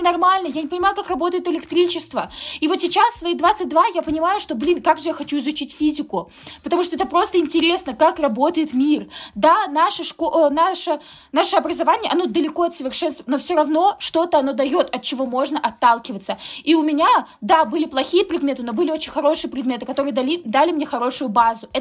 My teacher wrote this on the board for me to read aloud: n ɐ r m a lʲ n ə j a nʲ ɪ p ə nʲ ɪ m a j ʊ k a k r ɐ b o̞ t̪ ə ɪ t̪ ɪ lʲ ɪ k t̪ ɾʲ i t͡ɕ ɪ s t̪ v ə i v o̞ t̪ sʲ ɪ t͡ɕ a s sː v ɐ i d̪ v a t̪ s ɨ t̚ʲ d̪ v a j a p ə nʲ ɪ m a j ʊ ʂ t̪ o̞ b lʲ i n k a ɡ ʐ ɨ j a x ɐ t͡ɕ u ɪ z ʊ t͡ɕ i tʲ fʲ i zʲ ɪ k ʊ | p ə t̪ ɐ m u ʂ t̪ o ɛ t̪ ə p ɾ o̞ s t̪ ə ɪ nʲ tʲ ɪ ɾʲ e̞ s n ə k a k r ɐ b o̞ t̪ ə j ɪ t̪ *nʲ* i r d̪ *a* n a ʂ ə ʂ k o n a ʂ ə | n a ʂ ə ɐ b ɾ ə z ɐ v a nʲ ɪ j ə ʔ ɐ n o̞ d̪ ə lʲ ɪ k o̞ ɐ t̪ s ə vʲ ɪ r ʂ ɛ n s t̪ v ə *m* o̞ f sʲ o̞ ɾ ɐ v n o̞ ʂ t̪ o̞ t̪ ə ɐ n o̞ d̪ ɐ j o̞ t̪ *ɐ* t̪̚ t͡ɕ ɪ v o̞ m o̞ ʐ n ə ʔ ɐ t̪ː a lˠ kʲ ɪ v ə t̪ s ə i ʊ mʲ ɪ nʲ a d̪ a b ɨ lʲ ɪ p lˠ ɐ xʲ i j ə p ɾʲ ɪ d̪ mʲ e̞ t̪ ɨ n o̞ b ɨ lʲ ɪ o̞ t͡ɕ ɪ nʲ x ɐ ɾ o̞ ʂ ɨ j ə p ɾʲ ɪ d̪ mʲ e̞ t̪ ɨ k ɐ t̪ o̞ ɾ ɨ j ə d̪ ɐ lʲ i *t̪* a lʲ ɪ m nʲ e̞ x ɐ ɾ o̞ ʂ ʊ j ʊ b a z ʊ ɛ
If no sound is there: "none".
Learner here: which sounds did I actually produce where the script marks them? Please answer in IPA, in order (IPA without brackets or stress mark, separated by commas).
mʲ, a, n, ɐ, d̪